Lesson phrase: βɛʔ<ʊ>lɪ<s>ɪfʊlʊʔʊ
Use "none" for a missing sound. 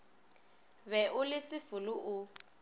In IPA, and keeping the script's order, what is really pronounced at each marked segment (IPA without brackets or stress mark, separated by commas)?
ʊ, s